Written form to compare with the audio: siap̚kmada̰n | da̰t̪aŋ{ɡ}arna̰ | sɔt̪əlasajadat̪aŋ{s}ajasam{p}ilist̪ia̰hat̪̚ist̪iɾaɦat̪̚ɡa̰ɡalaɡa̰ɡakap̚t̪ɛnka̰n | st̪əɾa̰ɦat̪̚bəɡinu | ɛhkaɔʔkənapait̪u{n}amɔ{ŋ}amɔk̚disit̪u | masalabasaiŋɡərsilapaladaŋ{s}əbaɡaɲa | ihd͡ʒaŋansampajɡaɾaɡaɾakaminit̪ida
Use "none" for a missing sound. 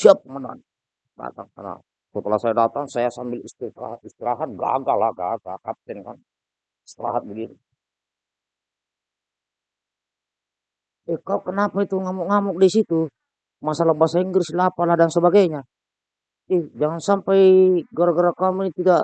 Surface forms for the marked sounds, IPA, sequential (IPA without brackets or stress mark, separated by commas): k, s, b, ŋ, ŋ, s